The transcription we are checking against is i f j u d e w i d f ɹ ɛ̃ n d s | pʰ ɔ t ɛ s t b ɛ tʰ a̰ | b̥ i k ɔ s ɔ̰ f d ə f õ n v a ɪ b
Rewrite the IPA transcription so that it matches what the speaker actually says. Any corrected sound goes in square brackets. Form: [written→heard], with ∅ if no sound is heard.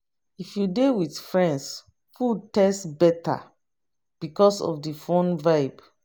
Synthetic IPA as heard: i f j u d e w i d f ɹ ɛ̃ n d s | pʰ [ɔ→u] t ɛ s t b ɛ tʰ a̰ | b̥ i k ɔ s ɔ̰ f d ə f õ n v a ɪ b